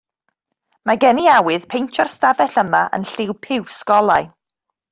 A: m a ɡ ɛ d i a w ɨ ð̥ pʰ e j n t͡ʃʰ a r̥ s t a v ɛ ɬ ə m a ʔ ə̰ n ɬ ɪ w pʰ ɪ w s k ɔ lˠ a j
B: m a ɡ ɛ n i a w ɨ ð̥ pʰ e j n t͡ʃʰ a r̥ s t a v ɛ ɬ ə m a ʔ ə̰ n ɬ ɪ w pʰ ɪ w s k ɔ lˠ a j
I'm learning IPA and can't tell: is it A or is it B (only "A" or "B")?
B